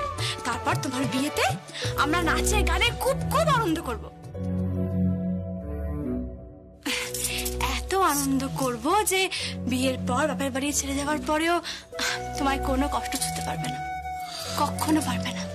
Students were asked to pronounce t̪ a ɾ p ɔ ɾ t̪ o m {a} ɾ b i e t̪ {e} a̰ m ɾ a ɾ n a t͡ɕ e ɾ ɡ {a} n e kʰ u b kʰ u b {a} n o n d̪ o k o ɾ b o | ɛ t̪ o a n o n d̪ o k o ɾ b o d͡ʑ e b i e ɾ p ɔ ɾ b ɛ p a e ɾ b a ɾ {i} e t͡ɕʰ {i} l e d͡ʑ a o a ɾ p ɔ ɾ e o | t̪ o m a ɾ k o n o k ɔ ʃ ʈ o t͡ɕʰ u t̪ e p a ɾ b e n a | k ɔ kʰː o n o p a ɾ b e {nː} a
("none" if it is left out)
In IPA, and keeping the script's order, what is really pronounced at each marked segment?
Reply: a, e, a, a, i, e, n

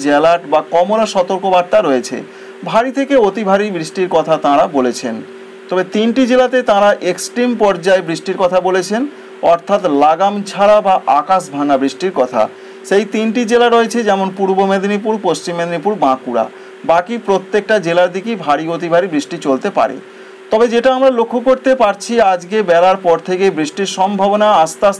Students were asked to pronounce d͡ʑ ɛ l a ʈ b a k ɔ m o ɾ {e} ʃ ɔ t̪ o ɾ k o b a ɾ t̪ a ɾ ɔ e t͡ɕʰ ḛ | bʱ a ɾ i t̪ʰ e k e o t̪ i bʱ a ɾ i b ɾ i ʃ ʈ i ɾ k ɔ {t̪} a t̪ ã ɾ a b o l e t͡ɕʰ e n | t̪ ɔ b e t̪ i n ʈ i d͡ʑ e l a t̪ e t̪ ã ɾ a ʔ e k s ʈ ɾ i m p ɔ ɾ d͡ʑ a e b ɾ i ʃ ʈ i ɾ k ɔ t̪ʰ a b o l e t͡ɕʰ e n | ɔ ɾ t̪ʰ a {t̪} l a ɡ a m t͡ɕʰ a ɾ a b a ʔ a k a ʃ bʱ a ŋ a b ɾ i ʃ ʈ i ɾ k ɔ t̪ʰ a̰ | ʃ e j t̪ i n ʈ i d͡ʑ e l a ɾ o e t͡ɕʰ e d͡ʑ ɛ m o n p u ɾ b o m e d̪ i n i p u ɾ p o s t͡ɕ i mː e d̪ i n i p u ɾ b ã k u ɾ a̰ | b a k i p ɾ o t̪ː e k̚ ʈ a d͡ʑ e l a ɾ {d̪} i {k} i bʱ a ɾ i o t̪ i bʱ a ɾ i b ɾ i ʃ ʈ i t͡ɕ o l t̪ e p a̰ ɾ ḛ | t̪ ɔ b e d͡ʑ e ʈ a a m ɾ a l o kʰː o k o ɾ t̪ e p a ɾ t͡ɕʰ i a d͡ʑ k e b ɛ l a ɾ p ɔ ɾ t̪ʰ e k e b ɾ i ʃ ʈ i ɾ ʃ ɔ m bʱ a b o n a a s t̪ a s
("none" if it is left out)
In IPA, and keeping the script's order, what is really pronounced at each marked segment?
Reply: a, t̪ʰ, t̪, d̪, k

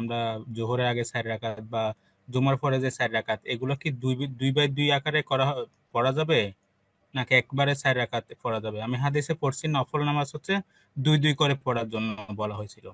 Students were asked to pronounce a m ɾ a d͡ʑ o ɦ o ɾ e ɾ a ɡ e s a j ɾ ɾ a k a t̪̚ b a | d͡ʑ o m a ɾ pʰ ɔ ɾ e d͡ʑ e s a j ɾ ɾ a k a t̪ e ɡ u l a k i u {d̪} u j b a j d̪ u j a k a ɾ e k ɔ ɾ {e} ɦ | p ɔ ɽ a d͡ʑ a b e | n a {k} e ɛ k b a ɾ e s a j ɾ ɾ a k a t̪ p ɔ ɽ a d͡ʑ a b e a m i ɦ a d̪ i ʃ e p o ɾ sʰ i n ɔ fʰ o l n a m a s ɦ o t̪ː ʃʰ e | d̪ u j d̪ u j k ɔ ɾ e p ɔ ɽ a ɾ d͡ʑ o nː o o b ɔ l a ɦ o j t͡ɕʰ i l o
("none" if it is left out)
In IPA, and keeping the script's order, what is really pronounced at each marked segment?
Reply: d̪, a, k

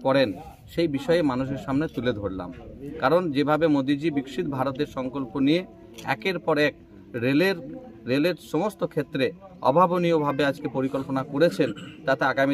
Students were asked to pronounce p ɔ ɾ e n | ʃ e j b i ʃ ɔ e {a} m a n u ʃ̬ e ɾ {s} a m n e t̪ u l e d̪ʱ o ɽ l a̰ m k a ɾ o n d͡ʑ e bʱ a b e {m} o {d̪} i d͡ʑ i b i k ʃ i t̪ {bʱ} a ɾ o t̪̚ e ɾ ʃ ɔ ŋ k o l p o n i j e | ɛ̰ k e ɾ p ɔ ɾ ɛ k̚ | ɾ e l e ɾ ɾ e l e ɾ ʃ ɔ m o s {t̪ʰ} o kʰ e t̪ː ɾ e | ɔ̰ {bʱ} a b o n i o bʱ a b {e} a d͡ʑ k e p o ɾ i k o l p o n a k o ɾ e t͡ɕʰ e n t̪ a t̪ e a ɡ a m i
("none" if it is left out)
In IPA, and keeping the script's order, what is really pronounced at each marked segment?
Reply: e, ʃ, m, d̪, bʱ, t̪, bʱ, e

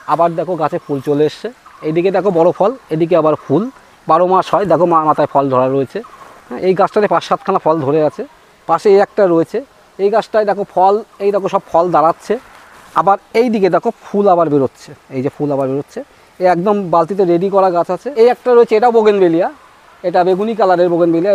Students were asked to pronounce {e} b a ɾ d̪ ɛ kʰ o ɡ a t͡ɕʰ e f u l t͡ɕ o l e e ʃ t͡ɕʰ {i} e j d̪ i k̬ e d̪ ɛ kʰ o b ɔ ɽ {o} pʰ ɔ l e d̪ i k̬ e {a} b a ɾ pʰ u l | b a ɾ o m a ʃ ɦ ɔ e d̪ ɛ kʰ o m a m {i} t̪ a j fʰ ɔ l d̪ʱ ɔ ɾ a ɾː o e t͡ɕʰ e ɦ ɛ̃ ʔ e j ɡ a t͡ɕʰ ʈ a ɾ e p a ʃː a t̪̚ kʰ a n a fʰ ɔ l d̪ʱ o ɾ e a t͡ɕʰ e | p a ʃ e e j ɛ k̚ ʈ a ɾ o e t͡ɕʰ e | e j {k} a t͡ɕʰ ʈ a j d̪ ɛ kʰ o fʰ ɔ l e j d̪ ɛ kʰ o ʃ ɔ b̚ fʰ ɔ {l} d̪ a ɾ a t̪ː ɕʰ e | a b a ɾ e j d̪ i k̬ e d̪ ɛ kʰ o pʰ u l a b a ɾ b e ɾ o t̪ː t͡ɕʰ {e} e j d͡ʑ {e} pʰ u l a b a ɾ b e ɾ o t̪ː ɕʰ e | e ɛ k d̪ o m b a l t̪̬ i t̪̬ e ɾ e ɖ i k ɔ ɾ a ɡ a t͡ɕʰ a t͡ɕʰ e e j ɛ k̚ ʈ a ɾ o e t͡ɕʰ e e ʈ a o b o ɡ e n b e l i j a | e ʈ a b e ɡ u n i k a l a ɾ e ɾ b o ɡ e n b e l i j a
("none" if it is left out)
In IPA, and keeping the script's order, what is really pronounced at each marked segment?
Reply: a, e, o, a, a, ɡ, l, e, e

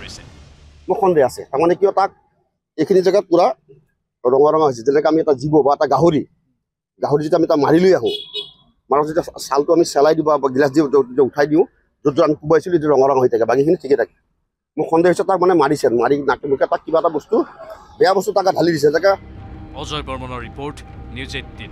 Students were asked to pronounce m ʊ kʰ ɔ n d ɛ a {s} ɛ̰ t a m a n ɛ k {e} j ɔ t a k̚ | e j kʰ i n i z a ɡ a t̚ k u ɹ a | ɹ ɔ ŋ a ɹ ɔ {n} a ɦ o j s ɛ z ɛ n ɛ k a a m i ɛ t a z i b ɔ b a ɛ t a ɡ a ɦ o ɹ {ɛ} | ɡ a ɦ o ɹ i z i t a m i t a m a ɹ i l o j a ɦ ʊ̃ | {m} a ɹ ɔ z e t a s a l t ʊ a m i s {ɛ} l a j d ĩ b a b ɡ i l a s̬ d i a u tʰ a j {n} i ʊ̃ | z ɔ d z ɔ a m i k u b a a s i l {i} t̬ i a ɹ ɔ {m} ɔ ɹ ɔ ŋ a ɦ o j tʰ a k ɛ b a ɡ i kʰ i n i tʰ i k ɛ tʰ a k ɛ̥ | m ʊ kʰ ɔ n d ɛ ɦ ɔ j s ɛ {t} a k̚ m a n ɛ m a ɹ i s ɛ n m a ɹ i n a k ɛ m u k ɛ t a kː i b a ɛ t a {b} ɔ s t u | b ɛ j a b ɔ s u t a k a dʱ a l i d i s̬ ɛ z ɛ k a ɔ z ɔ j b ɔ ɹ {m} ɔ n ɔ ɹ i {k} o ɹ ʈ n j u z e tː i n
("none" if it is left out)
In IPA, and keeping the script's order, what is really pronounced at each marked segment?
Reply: s, i, ŋ, i, m, ɛ, d, e, ŋ, t, b, m, p

